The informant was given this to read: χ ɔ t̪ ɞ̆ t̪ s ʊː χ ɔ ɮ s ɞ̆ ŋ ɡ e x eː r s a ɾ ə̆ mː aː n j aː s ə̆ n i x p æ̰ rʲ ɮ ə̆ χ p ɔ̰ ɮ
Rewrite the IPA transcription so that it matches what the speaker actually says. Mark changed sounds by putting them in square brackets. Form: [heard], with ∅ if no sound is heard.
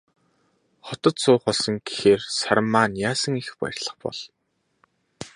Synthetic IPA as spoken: χ ɔ t̪ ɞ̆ t̪ s ʊː χ ɔ ɮ s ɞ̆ ŋ ɡ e x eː r s a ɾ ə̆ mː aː n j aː s ə̆ [ŋ] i x p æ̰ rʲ ɮ ə̆ χ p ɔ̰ ɮ